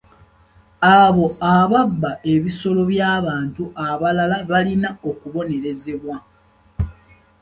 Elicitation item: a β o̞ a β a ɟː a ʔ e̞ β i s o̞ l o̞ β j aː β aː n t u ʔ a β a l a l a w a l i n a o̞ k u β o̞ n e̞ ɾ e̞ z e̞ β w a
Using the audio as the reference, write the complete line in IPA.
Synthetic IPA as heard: a β o̞ a β a bː a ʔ e̞ β i s o̞ l o̞ β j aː β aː n t u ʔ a β a l a l a β a l i n a o̞ k u β o̞ n e̞ ɾ e̞ z e̞ β w a